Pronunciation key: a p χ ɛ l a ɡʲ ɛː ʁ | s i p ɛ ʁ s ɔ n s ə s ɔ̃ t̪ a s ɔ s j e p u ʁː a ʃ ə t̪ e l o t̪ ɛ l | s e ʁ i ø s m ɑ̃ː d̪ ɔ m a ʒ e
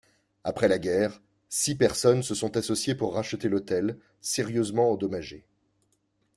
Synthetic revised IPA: a p χ ɛ l a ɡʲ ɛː ʁ | s i p ɛ ʁ s ɔ n s ə s ɔ̃ t̪ a s ɔ s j e p u ʁː a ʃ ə t̪ e l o t̪ ɛ l | s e ʁ j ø z m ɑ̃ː d̪ ɔ m a ʒ e